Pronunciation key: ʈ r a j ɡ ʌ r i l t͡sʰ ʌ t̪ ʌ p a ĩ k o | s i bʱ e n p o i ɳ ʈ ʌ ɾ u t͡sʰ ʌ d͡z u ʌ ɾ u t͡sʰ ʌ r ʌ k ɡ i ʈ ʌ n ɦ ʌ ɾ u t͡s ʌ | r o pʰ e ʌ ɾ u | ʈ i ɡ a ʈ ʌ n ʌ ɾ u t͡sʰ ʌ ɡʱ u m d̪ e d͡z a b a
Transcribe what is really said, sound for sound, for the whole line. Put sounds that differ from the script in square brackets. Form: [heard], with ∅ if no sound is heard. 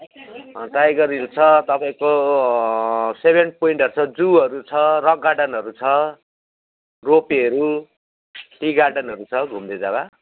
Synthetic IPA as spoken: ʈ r a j ɡ ʌ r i l t͡sʰ ʌ t̪ ʌ p a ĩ k o | s [e] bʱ e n p o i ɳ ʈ ʌ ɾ u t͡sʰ ʌ d͡z u ʌ ɾ u t͡sʰ ʌ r ʌ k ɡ [a] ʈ ʌ n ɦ ʌ ɾ u [t͡sʰ] ʌ | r o [p] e ʌ ɾ u | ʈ i ɡ a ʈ ʌ n ʌ ɾ u t͡sʰ ʌ ɡʱ u m d̪ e d͡z a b a